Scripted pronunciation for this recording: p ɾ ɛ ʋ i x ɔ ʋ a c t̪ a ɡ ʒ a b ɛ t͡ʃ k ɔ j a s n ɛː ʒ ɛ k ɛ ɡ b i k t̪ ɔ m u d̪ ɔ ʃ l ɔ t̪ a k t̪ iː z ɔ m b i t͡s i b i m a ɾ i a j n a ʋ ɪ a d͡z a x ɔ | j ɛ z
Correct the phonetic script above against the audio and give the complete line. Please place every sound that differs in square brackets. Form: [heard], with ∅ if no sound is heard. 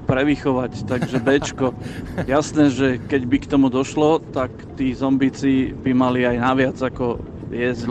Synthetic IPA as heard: p ɾ ɛ ʋ i x ɔ ʋ a c t̪ a ɡ ʒ [ɛ] b ɛ t͡ʃ k ɔ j a s n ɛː ʒ ɛ k ɛ [ɟ] b i k t̪ ɔ m u d̪ ɔ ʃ l ɔ t̪ a k t̪ iː z ɔ m b i t͡s i b i m a [l] i a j n a ʋ ɪ a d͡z a [k] ɔ | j ɛ z